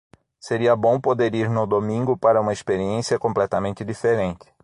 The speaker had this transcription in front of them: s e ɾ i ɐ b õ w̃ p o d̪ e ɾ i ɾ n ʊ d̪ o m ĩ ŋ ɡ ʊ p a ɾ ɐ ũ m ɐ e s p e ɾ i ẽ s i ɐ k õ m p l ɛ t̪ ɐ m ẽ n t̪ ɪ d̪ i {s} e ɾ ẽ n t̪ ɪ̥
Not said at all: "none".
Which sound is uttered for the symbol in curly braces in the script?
f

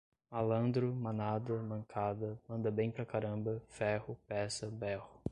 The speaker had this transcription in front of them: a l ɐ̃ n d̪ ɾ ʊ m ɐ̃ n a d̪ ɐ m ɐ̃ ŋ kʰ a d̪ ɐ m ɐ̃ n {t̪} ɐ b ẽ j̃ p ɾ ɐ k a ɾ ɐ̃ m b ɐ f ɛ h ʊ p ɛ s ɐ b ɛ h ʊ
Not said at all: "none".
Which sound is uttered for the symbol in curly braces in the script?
d̪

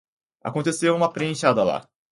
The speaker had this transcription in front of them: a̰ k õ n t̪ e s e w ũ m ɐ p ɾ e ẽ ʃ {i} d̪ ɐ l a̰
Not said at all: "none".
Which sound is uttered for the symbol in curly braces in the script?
a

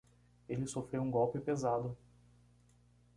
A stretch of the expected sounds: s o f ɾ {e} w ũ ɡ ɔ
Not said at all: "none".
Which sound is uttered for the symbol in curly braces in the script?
e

